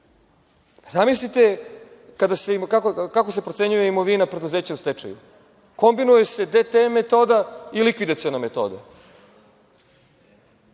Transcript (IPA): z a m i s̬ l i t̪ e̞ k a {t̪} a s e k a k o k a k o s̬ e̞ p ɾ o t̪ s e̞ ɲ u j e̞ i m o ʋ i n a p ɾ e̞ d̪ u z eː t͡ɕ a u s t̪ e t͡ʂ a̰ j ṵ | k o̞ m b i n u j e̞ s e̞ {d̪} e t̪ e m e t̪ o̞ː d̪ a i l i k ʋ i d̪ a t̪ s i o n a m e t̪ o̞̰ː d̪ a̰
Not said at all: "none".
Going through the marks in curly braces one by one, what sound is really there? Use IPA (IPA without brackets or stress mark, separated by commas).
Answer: d̪, d̪